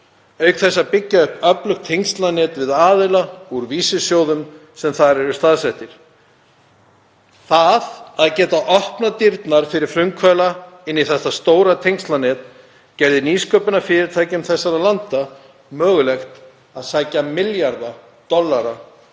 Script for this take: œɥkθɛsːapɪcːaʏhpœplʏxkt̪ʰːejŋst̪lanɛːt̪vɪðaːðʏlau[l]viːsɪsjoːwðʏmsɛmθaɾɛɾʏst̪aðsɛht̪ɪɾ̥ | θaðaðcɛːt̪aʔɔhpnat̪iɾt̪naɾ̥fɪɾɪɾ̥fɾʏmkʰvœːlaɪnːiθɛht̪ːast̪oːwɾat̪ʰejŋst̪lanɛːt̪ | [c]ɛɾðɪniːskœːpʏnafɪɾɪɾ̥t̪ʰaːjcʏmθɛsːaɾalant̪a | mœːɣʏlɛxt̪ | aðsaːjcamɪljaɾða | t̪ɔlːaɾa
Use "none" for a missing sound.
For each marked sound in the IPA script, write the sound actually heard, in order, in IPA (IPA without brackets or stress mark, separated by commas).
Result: ɾ, c